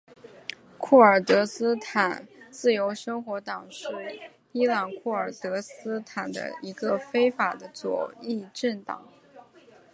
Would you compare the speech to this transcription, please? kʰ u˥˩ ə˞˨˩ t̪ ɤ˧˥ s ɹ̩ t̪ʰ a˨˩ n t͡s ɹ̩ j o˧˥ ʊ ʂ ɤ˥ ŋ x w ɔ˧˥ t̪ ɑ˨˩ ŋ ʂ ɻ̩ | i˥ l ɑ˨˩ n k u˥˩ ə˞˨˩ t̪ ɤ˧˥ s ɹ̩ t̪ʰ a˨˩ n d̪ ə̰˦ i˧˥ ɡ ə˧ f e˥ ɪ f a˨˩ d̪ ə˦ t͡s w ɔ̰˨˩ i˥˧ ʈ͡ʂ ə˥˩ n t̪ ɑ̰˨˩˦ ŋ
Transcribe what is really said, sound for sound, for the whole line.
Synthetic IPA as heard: kʰ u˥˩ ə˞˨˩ t̪ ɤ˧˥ s ɹ̩ t̪ʰ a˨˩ n t͡s ɹ̩ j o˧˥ ʊ ʂ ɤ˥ ŋ x w ɔ˧˥ t̪ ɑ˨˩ ŋ ʂ ɻ̩ | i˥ l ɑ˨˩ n kʰ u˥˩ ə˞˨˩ t̪ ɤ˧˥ s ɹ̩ t̪ʰ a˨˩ n d̪ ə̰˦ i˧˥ ɡ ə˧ f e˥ ɪ f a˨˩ d̪ ə˦ t͡s w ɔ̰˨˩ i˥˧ ʈ͡ʂ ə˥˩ n t̪ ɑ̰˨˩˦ ŋ